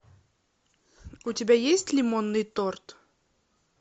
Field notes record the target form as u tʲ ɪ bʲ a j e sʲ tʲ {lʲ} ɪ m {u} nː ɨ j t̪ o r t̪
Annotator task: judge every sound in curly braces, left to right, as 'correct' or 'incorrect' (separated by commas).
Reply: correct, incorrect